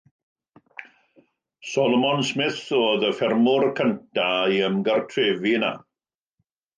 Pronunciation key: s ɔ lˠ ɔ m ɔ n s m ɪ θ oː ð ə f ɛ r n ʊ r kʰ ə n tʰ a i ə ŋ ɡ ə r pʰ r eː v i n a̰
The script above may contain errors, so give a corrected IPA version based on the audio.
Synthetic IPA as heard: s ɔ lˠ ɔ m ɔ n s m ɪ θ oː ð ə f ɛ r m ʊ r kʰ ə n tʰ a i ə m ɡ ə r tʰ r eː v i n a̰